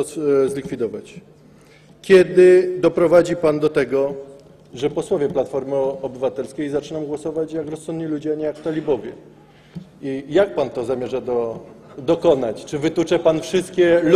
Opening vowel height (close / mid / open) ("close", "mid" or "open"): close